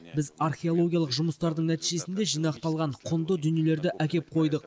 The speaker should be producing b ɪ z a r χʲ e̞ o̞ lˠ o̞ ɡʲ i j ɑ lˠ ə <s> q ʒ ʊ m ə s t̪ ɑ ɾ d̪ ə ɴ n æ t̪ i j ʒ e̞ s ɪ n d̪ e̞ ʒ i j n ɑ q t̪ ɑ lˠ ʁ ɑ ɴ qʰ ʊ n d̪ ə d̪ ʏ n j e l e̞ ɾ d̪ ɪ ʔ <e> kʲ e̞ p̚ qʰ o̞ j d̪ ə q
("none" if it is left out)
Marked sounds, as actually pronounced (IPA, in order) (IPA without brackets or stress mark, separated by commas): none, æ